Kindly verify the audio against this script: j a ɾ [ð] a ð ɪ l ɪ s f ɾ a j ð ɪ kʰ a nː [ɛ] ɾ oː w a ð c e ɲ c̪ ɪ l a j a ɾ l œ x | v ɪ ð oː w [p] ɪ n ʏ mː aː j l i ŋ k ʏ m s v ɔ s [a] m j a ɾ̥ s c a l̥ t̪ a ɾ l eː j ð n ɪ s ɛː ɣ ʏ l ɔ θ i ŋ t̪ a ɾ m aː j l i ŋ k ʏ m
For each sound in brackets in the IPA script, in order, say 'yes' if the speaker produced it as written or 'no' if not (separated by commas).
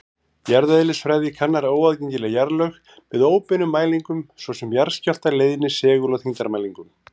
yes, no, yes, no